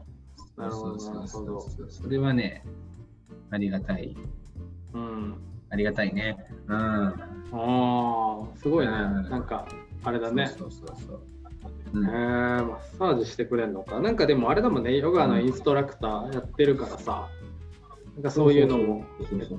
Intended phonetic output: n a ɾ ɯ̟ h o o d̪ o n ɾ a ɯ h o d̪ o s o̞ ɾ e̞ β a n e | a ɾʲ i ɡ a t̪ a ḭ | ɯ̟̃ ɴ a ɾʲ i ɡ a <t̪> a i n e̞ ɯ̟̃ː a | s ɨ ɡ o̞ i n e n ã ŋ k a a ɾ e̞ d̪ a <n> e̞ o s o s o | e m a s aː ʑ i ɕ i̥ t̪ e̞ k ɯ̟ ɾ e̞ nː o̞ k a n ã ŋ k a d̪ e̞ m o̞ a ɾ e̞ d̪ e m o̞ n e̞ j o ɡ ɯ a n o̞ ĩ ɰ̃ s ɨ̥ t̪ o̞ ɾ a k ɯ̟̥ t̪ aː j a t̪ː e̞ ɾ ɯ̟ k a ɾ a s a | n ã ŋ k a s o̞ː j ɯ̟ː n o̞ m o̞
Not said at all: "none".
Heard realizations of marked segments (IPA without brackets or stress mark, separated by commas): t̪, n